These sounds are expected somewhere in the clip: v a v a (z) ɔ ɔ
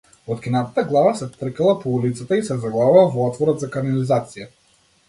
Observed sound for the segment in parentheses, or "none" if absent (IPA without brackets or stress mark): v